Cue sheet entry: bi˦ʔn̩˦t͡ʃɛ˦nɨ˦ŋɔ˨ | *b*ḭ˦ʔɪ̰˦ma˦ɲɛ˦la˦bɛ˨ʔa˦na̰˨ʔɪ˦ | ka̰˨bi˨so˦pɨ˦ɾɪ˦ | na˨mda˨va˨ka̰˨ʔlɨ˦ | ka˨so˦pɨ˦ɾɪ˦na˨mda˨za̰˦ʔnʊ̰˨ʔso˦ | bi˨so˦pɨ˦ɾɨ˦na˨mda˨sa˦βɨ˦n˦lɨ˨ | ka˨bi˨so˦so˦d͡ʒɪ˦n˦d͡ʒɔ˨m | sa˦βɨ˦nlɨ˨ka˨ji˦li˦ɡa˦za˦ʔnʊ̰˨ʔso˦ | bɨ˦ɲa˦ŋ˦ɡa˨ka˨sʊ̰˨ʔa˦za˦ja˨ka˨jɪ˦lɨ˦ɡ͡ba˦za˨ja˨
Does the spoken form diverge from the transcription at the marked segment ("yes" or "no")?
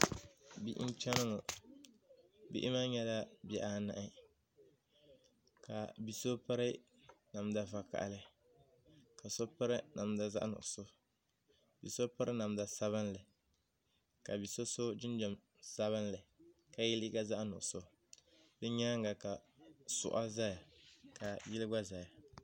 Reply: no